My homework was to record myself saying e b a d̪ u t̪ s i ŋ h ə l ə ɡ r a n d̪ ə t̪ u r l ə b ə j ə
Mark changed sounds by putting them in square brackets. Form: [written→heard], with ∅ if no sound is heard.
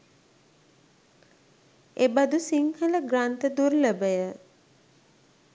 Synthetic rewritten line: e b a d̪ u [t̪→∅] s i ŋ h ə l ə ɡ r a n [d̪→t̪] ə [t̪→d̪] u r l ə b ə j ə